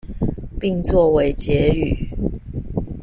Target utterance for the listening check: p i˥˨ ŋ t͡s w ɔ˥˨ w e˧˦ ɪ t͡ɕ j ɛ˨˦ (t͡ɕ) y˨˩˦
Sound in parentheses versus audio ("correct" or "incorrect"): incorrect